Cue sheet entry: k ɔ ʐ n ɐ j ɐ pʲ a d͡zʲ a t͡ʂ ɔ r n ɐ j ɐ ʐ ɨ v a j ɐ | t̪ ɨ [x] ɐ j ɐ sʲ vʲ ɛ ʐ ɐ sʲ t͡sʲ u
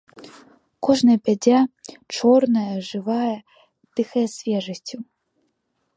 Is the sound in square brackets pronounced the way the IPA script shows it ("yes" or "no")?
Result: yes